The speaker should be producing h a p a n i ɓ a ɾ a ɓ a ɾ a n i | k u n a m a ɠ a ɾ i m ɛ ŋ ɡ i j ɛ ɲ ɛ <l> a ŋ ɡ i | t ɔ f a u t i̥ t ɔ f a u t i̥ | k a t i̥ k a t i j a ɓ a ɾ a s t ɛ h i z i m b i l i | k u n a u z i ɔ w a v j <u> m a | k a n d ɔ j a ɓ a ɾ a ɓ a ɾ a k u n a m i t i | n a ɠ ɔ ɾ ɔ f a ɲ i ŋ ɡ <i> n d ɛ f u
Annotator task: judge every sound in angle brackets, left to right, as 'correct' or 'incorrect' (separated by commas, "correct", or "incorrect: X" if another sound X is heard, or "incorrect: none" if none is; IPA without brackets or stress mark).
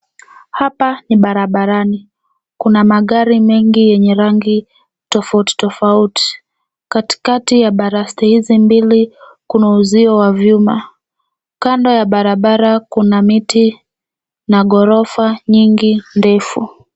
incorrect: ɾ, correct, correct